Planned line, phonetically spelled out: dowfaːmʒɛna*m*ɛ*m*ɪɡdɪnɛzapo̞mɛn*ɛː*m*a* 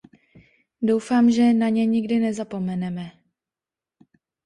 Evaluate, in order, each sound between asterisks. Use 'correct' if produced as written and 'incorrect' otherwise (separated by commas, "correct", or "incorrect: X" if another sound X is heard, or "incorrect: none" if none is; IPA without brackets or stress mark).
incorrect: ɲ, incorrect: ɲ, incorrect: ɛ, incorrect: ɛ